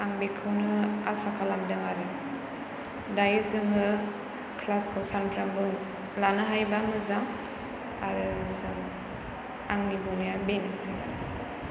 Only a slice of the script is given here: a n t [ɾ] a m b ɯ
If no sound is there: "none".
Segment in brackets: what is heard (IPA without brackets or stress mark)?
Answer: ɾ